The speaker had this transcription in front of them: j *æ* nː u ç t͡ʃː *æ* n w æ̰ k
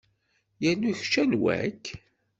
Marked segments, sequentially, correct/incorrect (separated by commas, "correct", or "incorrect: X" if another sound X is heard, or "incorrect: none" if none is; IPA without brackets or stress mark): correct, correct